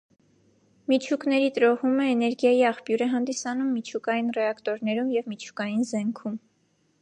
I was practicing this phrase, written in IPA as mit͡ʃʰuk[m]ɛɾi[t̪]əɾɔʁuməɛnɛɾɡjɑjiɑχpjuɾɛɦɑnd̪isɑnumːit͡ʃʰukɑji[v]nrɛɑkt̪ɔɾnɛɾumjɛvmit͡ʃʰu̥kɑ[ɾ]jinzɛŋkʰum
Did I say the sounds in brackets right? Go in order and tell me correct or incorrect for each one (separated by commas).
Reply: incorrect, correct, incorrect, incorrect